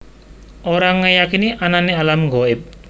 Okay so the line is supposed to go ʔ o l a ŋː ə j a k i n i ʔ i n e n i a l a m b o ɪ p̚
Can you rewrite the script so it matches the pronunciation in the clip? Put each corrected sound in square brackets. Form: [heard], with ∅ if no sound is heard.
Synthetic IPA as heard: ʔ o [ɾ] a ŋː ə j a k i n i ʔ [a] n [a] n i a l a m [ɡ] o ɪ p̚